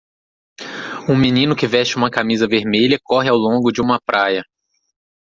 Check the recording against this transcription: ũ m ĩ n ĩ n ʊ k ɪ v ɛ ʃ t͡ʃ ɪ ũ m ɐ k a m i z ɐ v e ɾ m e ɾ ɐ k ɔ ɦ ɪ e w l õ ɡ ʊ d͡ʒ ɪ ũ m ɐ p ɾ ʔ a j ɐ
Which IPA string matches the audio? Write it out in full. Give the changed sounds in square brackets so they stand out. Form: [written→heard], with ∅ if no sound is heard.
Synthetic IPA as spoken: ũ m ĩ n ĩ n ʊ k ɪ v ɛ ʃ t͡ʃ ɪ ũ m ɐ k a m i z ɐ v e ɾ m e [ɾ→ʎ] ɐ k ɔ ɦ ɪ [e→a] w l õ ɡ ʊ d͡ʒ ɪ ũ m ɐ p ɾ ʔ a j ɐ